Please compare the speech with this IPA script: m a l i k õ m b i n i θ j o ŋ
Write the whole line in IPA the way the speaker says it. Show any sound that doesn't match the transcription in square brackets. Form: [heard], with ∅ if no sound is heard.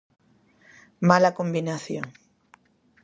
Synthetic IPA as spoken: m a l [a] k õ m b i n [a] θ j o ŋ